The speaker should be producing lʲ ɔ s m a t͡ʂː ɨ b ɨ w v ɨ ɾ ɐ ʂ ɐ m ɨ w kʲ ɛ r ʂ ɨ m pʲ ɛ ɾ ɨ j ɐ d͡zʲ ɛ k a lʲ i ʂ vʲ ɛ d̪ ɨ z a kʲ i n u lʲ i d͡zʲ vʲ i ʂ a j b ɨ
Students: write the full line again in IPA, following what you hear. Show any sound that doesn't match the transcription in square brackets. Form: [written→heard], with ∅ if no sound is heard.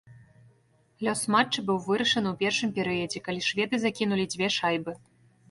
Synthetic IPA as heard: lʲ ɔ s m a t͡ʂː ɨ b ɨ w v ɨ ɾ ɐ ʂ ɐ [m→n] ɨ w [kʲ→pʲ] ɛ r ʂ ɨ m pʲ ɛ ɾ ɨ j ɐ d͡zʲ ɛ k a lʲ i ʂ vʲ ɛ d̪ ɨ z a kʲ i n u lʲ i d͡zʲ vʲ [i→ɛ] ʂ a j b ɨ